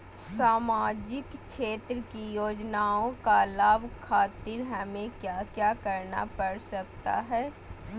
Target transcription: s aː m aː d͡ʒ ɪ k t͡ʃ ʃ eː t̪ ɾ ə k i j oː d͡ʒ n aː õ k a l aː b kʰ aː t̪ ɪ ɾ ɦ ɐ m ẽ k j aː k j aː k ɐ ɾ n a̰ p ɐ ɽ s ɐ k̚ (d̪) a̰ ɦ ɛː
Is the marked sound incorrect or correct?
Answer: incorrect